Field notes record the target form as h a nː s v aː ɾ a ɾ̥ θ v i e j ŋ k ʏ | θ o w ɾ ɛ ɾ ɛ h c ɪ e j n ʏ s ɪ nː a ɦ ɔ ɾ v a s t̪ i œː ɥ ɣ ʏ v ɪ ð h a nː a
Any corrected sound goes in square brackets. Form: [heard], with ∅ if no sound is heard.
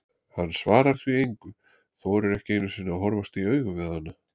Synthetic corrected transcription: h a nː s v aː ɾ a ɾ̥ θ v i e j ŋ k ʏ | θ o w ɾ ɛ ɾ ɛ h c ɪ e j n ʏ s ɪ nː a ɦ ɔ ɾ v a s t̪ i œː ɥ ɣ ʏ v ɪ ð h a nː a